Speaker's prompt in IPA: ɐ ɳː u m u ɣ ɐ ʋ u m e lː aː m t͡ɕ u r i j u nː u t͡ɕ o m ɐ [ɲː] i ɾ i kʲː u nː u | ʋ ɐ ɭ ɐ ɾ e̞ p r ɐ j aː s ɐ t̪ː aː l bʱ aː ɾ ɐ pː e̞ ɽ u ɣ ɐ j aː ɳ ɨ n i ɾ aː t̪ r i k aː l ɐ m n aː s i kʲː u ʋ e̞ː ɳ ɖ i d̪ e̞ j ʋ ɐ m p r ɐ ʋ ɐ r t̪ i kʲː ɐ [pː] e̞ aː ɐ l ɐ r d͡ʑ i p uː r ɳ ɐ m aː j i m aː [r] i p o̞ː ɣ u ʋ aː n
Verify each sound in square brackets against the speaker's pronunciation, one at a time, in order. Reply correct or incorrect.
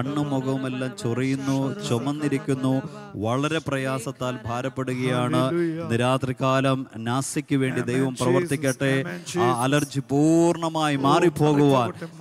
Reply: incorrect, incorrect, correct

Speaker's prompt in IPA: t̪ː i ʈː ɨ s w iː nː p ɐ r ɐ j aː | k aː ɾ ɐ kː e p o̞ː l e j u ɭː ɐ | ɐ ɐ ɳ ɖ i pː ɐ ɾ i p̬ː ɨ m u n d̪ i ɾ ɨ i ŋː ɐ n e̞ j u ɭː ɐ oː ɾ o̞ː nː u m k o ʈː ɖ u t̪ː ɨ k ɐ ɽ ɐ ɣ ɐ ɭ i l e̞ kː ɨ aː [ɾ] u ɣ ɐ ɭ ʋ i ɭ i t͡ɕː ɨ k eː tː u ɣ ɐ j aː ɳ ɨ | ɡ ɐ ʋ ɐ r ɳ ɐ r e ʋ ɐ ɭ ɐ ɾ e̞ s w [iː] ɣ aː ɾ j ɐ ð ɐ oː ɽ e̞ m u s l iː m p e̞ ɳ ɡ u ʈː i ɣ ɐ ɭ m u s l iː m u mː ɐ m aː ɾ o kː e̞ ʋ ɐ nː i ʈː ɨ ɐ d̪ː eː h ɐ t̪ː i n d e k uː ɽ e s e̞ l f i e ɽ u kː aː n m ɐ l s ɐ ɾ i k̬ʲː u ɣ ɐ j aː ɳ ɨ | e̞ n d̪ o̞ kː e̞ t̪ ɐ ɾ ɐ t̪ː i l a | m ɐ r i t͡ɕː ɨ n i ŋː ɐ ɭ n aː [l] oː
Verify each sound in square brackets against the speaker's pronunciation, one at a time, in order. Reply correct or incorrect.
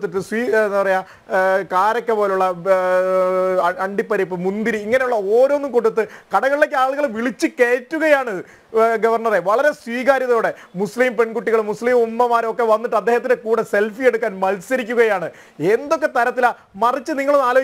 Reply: incorrect, correct, correct

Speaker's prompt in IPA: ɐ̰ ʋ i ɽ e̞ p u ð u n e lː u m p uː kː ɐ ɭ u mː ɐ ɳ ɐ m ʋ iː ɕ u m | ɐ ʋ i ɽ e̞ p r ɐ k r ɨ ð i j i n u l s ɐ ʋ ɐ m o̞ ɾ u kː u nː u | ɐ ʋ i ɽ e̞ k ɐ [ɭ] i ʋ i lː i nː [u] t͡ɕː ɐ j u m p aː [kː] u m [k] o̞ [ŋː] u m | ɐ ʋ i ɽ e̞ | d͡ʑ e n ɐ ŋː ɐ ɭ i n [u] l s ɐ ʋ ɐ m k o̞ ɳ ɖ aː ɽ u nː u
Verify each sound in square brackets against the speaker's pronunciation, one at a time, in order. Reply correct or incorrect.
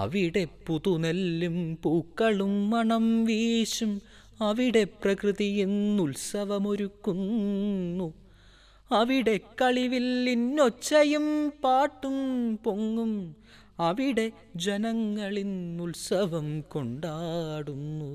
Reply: correct, incorrect, incorrect, incorrect, correct, correct

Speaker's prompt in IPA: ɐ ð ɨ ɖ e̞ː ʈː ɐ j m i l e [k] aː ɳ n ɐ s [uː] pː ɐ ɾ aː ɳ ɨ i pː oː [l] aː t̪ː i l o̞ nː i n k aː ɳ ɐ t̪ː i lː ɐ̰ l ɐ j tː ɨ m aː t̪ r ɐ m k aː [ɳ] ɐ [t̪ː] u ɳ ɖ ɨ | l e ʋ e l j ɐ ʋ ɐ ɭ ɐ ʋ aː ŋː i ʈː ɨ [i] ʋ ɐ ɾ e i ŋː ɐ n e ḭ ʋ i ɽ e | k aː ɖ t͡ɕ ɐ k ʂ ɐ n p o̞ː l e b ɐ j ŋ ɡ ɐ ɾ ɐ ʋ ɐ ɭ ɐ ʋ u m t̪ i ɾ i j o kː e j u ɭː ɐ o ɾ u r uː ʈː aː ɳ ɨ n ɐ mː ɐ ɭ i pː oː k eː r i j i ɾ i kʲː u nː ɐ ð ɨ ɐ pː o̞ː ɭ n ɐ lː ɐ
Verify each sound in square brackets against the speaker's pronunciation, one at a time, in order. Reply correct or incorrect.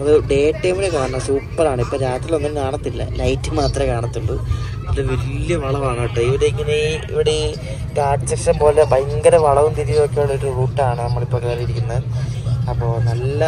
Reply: correct, correct, incorrect, correct, correct, correct

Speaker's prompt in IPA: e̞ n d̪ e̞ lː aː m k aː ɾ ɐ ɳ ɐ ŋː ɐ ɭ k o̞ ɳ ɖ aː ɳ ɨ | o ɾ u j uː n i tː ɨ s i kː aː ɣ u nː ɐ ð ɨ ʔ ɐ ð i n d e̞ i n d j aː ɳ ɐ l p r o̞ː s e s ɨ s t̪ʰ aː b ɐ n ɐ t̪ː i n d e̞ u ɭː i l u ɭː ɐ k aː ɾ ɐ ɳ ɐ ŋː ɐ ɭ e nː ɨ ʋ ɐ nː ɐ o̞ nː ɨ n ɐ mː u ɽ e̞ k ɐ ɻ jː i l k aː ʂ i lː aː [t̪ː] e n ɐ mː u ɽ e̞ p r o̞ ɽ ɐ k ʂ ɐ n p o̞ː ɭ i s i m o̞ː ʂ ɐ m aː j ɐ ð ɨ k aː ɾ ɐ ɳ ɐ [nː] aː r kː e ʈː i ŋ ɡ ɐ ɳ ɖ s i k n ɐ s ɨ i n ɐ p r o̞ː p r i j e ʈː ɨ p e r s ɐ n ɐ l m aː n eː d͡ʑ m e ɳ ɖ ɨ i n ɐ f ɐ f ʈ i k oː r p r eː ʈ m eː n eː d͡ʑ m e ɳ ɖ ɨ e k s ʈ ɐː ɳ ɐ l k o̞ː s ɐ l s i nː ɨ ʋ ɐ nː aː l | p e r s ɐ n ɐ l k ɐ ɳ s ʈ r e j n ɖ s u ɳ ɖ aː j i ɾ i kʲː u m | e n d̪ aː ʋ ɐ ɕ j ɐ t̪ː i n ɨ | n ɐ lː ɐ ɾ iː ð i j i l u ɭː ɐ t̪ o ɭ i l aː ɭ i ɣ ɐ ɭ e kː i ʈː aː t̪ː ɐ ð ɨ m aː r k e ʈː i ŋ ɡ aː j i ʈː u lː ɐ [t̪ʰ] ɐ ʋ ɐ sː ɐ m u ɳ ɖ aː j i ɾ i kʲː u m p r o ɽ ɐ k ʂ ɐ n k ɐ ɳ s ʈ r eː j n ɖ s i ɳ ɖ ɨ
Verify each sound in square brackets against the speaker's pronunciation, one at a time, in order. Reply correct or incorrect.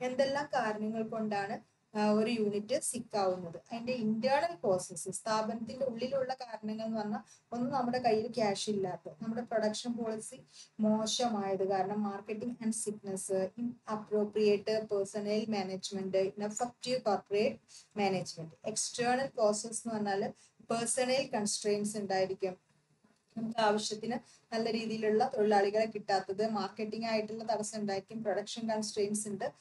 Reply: correct, incorrect, incorrect

